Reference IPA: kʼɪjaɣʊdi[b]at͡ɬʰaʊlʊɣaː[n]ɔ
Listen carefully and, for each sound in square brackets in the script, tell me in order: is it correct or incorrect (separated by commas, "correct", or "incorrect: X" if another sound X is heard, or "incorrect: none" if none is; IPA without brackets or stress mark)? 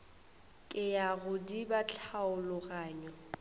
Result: correct, incorrect: ɲ